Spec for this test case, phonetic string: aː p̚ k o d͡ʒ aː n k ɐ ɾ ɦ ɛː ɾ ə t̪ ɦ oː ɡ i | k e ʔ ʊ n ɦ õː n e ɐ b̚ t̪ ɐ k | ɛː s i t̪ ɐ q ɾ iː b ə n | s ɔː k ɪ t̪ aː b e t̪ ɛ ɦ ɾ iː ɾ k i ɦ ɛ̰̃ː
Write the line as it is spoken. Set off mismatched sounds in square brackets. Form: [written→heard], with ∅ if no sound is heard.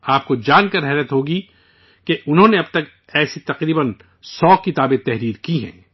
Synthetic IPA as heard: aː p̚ k o d͡ʒ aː n k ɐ ɾ ɦ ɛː ɾ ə t̪ ɦ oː ɡ i | k e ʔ ʊ n ɦ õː n e ɐ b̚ t̪ ɐ k | ɛː s i t̪ ɐ q ɾ iː b ə n | s ɔː k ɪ t̪ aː b e t̪ ɛ ɦ ɾ iː ɾ k i ɦ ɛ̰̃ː

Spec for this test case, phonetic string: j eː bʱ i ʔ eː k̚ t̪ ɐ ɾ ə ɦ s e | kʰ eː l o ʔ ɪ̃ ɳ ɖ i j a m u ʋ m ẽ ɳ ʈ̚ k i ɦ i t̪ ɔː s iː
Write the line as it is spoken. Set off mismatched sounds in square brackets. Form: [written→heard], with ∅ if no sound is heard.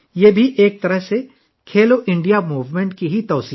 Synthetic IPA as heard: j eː bʱ i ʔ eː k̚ t̪ ɐ ɾ ə ɦ s e | kʰ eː l o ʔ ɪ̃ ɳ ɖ i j a m [u→uː] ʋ m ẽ ɳ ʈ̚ k i ɦ i t̪ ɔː s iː

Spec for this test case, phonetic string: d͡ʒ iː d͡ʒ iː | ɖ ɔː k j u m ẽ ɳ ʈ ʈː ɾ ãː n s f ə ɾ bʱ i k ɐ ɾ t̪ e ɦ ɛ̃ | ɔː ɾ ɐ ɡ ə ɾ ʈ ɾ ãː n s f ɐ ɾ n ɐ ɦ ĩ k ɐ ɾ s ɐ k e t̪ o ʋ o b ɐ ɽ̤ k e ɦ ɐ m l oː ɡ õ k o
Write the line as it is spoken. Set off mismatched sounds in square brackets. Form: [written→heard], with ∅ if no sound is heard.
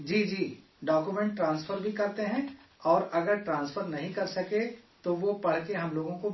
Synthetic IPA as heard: d͡ʒ iː d͡ʒ iː | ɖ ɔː k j u m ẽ ɳ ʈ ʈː ɾ ãː n s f ə ɾ bʱ i k ɐ ɾ t̪ e ɦ ɛ̃ | ɔː ɾ ɐ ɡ ə ɾ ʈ ɾ ãː n s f [ɐ→ə] ɾ n ɐ ɦ ĩ k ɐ ɾ s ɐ k e t̪ o ʋ o [b→p] ɐ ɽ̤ k e ɦ ɐ m l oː ɡ õ k o

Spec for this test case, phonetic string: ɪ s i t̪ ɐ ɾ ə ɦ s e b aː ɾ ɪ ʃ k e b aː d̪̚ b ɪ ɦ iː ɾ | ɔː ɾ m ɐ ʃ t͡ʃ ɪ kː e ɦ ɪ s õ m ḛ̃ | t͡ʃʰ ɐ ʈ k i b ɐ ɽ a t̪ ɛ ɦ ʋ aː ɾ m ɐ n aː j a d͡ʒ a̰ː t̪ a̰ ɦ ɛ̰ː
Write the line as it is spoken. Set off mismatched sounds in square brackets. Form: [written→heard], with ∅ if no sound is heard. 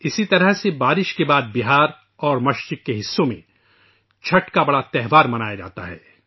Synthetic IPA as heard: ɪ s i t̪ ɐ ɾ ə ɦ s e b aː ɾ ɪ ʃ k e b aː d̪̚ b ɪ ɦ [iː→aː] ɾ | ɔː ɾ m ɐ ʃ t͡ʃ ɪ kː e ɦ ɪ [s→sː] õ m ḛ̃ | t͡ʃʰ ɐ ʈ k [i→a] b ɐ ɽ a t̪ ɛ ɦ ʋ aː ɾ m ɐ n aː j a d͡ʒ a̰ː t̪ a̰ ɦ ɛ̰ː

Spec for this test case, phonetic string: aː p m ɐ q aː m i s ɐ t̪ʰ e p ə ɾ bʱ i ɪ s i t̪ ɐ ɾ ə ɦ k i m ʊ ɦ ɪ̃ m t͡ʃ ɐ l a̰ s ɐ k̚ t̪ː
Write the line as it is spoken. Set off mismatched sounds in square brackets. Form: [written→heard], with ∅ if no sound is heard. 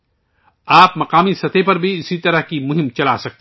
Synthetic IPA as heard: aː p m ɐ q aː m i s ɐ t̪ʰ e p [ə→ɐ] ɾ bʱ i ɪ s i t̪ ɐ ɾ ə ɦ k i m ʊ ɦ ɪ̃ m t͡ʃ ɐ l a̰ s ɐ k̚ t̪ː

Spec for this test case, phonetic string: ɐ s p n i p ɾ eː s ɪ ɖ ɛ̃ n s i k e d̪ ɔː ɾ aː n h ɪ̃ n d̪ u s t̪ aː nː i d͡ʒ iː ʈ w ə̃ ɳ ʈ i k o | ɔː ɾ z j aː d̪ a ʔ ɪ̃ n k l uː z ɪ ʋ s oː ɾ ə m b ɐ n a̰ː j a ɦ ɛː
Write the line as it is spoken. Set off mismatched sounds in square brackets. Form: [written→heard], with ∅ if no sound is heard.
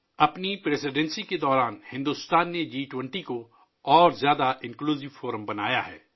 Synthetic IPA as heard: ɐ [s→∅] p n i p ɾ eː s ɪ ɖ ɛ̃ n s i k e d̪ ɔː ɾ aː n h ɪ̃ n d̪ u s t̪ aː nː [i→e] d͡ʒ iː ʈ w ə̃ ɳ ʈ i k o | ɔː ɾ z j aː d̪ a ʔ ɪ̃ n k l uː z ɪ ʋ [s→f] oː ɾ ə m b ɐ n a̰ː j a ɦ ɛː

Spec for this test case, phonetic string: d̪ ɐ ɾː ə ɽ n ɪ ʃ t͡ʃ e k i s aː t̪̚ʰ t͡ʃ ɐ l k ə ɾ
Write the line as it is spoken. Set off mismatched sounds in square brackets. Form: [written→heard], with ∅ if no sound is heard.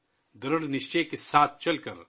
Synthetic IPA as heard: d̪ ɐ [ɾː→ɾ] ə ɽ n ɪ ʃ t͡ʃ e k [i→e] s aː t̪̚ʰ t͡ʃ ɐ l k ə ɾ

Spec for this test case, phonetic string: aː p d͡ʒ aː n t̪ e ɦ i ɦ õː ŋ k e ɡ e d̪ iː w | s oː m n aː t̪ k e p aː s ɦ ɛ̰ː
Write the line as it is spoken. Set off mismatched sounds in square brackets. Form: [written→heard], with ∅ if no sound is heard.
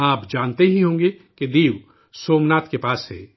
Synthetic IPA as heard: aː p d͡ʒ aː n t̪ e ɦ i ɦ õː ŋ [k→ɡ] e [ɡ→k] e d̪ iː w | s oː m n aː t̪ k e p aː s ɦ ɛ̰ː

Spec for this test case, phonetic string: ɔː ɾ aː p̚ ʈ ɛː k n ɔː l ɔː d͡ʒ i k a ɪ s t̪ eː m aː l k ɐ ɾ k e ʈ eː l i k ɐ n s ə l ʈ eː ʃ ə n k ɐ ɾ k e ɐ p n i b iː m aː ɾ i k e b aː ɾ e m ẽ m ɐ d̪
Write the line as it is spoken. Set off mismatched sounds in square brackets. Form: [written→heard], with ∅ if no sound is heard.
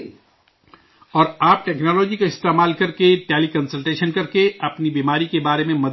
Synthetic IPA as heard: ɔː ɾ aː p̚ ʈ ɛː k n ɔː l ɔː d͡ʒ i k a ɪ s t̪ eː m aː l k ɐ ɾ k e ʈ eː l i k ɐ n s ə l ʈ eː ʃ ə n k ɐ ɾ k e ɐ p n i b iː m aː ɾ i k e b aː ɾ e m ẽ m ɐ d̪

